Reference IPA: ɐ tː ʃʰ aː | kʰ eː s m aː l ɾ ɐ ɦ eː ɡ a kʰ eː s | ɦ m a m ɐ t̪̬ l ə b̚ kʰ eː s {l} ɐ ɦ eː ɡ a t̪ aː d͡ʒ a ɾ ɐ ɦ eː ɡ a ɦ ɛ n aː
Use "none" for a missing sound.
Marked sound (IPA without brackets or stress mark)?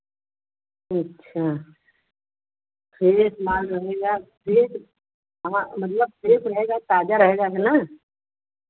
ɾ